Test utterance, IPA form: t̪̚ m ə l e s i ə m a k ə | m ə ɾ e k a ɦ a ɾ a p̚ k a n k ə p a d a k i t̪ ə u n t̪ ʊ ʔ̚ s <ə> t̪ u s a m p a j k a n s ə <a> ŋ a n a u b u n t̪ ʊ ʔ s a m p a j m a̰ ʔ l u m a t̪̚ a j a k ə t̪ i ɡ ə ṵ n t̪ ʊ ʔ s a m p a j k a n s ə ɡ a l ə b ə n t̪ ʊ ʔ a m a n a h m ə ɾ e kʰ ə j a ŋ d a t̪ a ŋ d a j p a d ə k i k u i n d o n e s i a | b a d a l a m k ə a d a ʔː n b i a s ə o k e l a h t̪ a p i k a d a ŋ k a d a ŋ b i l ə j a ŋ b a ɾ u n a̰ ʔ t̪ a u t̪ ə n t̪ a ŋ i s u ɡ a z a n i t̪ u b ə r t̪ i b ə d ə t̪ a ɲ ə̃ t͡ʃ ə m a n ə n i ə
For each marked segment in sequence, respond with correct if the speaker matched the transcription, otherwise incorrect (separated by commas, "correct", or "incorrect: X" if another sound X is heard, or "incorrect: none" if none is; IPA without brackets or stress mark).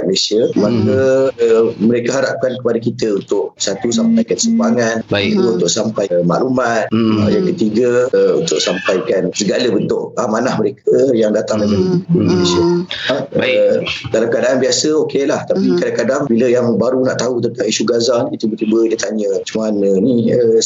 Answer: incorrect: a, correct